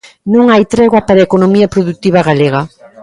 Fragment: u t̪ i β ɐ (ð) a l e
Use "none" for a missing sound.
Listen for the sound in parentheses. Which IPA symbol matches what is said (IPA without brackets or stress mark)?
ɣ